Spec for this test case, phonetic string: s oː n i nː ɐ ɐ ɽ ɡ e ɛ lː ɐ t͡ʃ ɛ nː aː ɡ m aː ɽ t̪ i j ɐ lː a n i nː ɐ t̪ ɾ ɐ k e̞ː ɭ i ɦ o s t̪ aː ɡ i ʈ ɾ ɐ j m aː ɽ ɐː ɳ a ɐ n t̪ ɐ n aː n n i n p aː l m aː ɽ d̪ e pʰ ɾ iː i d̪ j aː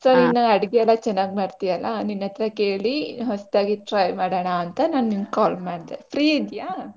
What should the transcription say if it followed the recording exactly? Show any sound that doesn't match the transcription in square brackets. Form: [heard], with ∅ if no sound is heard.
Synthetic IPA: s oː n i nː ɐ ɐ ɽ ɡ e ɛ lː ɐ t͡ʃ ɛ nː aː ɡ m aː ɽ t̪ i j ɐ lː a n i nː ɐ t̪ ɾ ɐ k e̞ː ɭ i ɦ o s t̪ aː ɡ i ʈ ɾ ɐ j m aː ɽ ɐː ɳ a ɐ n t̪ ɐ n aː n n i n [k] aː l m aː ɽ d̪ e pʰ ɾ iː i d̪ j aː